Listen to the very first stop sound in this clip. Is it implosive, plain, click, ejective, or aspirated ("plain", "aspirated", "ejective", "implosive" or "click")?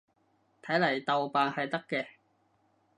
aspirated